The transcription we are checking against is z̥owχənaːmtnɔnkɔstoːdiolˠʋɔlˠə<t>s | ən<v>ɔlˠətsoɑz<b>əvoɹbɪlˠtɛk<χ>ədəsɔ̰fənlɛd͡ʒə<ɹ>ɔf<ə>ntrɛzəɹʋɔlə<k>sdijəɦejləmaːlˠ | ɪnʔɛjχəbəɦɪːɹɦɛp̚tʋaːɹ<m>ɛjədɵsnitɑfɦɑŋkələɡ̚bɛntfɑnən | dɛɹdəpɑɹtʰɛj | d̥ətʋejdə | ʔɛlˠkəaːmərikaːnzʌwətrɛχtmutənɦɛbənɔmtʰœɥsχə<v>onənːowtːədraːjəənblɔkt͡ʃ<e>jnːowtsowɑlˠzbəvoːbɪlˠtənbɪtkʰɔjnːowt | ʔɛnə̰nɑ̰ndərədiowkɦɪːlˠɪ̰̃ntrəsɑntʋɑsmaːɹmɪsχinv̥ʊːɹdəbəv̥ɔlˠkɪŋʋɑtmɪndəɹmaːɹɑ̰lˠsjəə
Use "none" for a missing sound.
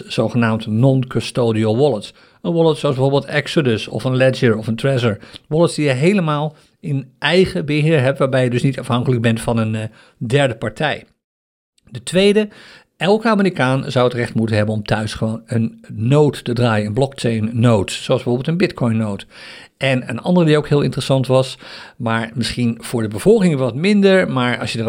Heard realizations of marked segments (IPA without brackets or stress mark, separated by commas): t, ʋ, b, s, ɹ, ə, t, b, ʋ, e